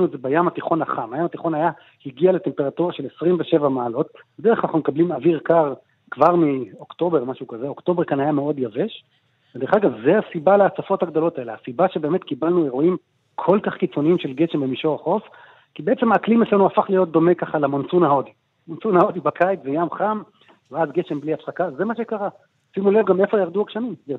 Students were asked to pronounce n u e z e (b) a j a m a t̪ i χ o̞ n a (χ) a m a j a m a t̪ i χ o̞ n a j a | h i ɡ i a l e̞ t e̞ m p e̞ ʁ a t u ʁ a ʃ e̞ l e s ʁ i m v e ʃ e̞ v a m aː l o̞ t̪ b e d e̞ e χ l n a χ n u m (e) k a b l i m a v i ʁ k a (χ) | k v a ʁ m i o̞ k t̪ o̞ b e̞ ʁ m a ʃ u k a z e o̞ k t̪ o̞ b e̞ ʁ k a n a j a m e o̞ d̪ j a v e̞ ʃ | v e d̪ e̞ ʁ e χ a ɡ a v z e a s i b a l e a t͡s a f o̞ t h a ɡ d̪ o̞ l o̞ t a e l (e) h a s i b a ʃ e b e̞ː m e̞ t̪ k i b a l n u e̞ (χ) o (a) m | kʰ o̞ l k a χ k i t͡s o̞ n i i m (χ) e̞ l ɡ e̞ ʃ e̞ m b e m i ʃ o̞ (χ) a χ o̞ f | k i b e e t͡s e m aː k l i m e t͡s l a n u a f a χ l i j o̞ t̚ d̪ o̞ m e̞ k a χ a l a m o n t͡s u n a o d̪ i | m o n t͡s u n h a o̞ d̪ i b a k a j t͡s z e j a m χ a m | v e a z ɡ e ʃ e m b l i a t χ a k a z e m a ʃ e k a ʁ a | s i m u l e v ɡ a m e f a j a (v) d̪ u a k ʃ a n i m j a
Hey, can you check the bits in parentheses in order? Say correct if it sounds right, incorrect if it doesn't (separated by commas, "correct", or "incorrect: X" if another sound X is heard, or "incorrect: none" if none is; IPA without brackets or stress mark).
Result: correct, correct, correct, incorrect: ʁ, correct, incorrect: ʁ, incorrect: i, incorrect: ʃ, incorrect: ʁ, incorrect: ʁ